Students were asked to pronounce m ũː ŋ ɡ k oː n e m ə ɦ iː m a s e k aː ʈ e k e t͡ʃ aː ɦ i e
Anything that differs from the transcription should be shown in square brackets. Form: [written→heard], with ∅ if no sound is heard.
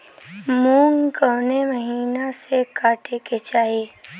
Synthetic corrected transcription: m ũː ŋ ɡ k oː n e m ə ɦ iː [m→n] a s e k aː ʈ e k e t͡ʃ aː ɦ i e